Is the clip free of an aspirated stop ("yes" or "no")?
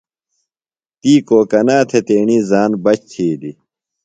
no